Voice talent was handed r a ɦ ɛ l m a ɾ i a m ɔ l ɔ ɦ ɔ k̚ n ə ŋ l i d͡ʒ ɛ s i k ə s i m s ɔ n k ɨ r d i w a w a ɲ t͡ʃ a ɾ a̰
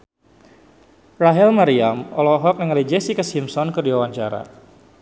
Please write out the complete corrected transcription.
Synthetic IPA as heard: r a ɦ ɛ l m a ɾ i a m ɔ l ɔ ɦ ɔ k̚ n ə ŋ l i d͡ʒ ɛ s i k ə s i m s ɔ n k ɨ r d i w a w a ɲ t͡ʃ a ɾ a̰